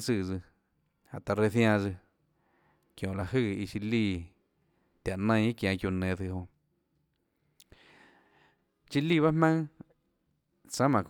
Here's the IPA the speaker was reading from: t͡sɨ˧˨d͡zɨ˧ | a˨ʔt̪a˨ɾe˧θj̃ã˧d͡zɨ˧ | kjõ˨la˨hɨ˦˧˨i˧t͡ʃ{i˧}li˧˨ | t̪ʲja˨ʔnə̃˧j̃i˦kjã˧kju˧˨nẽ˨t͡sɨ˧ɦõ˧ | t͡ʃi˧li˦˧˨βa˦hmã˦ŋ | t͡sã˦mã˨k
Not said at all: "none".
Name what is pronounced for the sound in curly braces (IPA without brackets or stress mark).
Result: i˧